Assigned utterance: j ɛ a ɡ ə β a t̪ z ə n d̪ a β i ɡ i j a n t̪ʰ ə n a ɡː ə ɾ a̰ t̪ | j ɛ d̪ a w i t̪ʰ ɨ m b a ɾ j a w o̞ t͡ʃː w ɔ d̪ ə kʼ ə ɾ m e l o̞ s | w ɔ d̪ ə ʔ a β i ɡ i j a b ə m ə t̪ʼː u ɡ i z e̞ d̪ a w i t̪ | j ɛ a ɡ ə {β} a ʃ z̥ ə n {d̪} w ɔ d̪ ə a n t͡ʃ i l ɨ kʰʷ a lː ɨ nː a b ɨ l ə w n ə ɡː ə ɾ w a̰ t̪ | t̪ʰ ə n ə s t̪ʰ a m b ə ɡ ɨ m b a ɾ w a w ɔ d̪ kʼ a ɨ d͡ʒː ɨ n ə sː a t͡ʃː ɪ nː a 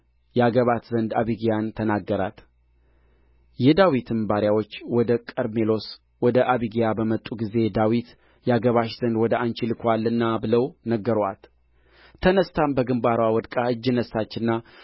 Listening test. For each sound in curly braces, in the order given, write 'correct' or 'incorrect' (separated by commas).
correct, correct